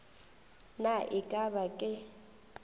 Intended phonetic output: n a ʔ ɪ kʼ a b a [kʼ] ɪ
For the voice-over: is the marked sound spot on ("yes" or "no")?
yes